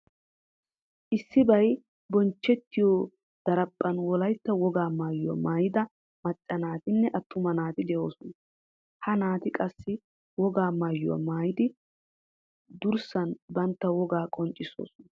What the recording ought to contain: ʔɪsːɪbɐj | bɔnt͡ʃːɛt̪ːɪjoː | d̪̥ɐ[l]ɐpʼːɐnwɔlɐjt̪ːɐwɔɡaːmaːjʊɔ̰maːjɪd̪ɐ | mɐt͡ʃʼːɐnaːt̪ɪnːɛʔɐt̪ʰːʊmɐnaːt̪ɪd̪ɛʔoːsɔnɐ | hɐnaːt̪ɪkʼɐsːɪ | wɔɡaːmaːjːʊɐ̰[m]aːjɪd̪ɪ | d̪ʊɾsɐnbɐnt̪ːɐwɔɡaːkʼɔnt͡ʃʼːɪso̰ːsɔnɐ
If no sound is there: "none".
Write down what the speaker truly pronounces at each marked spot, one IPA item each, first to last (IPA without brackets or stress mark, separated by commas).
ɾ, m